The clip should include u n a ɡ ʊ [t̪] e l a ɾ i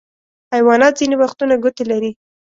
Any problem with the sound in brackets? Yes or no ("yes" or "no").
no